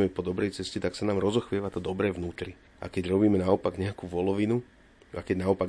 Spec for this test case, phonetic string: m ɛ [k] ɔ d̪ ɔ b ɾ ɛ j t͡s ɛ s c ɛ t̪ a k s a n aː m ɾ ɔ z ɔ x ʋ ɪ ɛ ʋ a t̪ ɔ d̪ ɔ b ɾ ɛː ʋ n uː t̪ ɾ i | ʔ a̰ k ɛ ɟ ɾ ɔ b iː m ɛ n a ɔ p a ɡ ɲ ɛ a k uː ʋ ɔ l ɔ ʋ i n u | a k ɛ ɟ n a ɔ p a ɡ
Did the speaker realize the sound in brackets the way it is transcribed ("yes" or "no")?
no